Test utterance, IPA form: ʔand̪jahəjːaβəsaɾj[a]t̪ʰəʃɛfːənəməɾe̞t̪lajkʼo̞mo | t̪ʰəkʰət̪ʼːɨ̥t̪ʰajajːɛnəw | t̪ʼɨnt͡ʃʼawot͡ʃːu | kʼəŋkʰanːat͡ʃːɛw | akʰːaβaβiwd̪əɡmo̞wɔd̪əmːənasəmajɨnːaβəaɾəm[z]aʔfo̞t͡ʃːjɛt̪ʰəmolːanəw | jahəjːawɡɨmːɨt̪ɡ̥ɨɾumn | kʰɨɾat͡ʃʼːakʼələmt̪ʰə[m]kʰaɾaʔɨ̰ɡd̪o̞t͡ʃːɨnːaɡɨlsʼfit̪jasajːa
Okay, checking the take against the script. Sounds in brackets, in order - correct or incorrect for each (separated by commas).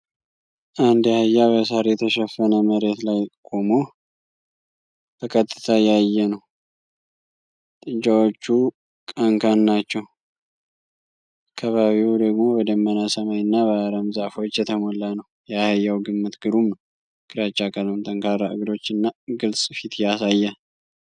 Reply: incorrect, correct, incorrect